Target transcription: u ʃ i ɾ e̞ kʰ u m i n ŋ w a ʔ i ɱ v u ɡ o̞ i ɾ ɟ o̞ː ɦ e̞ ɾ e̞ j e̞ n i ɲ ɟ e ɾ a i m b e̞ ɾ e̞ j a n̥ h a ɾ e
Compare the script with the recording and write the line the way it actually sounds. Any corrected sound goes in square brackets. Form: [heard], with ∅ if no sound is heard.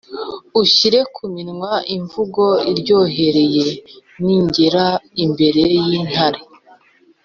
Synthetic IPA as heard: u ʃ i ɾ e̞ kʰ u m i n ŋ w a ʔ i ɱ v u ɡ o̞ i ɾ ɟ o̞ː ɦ e̞ ɾ e̞ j e̞ n i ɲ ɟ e ɾ a i m b e̞ ɾ e̞ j [i] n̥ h a ɾ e